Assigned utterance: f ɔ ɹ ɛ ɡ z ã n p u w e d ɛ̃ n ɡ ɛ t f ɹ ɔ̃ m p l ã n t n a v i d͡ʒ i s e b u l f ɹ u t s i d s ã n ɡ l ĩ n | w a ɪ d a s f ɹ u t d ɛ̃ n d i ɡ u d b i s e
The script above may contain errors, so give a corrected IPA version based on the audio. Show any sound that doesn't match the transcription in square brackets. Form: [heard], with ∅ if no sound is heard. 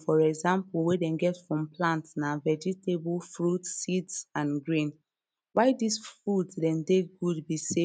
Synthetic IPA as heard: f ɔ ɹ ɛ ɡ z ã [m] p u w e d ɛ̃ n ɡ ɛ t f ɹ ɔ̃ m p l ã n t n a v [ɛ] d͡ʒ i [t] e b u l f ɹ u t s i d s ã n ɡ [ɹ] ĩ n | w a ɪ d [i] s f ɹ u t d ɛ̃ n d [e] ɡ u d b i s e